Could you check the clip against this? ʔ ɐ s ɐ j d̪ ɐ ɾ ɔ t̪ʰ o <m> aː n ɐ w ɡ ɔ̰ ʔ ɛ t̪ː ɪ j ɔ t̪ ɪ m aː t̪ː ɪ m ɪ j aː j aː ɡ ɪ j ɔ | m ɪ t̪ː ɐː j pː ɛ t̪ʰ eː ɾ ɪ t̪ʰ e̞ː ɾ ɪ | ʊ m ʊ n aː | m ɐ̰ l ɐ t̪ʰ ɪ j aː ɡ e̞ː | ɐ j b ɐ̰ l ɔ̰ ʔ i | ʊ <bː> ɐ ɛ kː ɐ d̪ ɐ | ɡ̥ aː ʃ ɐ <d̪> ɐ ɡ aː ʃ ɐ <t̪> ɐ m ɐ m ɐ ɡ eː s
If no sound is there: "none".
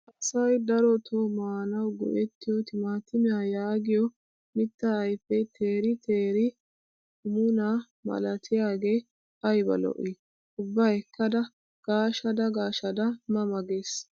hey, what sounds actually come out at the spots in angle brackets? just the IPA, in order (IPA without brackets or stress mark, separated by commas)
m, bː, d̪, d̪